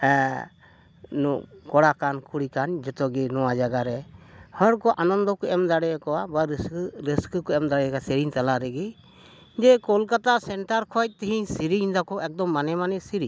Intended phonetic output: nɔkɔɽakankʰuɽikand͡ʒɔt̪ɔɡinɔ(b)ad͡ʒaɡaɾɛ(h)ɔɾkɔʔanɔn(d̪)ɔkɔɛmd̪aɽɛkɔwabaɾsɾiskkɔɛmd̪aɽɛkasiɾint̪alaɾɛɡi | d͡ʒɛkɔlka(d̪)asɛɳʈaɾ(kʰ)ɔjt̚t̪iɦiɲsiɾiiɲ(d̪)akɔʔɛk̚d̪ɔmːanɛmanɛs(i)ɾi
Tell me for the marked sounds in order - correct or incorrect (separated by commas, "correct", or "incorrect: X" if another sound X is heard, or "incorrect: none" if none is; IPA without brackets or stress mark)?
incorrect: w, correct, correct, incorrect: t̪, correct, correct, correct